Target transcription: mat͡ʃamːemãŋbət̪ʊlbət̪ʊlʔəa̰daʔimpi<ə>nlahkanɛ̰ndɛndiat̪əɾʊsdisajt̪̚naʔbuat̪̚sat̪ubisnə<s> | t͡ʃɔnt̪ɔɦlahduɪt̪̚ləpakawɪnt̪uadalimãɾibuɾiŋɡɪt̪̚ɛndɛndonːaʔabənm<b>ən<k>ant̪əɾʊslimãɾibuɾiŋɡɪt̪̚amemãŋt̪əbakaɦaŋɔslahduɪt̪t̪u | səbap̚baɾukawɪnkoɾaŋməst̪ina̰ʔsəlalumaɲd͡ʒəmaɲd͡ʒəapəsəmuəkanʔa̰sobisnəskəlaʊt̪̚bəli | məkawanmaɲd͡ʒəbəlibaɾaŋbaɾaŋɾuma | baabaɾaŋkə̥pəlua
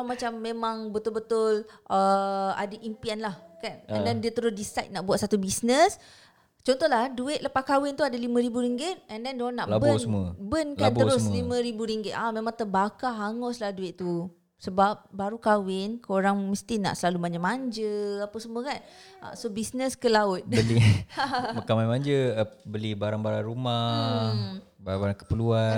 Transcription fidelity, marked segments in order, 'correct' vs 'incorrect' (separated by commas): incorrect, correct, correct, correct